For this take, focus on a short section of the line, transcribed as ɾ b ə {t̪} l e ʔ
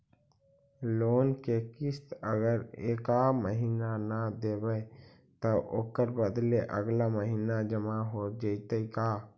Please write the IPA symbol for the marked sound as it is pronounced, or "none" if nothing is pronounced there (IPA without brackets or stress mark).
d̪